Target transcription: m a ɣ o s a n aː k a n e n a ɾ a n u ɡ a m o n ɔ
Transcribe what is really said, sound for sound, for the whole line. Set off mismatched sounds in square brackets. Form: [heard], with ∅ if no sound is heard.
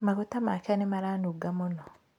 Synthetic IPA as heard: m a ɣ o [t] a [m] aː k a n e [m] a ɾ a n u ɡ a m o n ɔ